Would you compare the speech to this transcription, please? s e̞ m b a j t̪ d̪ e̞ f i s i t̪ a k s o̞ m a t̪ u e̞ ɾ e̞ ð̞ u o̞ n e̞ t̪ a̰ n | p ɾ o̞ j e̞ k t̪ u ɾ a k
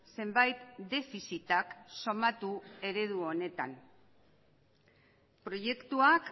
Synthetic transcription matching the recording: s e̞ m b a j t̪ d̪ e̞ f i s i t̪ a k s o̞ m a t̪ u e̞ ɾ e̞ ð̞ u o̞ n e̞ t̪ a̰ n | p ɾ o̞ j e̞ k t̪ u a k